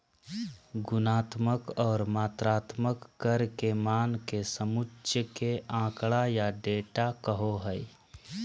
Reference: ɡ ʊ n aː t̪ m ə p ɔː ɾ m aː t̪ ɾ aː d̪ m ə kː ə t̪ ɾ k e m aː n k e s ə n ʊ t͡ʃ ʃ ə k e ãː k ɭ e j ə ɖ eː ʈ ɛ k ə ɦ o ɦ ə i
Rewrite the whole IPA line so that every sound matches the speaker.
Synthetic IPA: ɡ ʊ n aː t̪ m ə k ɔː ɾ m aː t̪ ɾ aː t̪ m ə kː ə ɾ k e m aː n k e s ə m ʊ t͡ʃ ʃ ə k e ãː k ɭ a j a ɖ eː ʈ a k ə ɦ o ɦ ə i